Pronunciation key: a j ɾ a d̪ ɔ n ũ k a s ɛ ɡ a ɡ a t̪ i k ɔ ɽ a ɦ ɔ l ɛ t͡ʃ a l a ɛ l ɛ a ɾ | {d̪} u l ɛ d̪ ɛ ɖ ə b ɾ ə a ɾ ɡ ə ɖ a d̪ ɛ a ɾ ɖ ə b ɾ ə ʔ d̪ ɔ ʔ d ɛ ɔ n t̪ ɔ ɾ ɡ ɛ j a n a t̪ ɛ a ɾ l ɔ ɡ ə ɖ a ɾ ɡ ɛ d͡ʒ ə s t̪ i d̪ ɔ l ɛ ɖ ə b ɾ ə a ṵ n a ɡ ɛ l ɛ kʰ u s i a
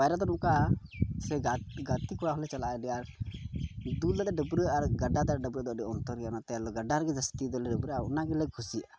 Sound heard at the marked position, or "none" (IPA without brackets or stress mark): d̪